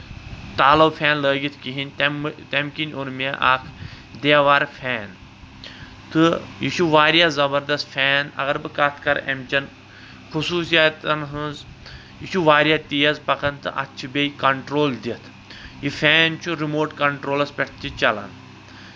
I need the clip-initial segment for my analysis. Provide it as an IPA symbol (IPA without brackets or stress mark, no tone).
t̪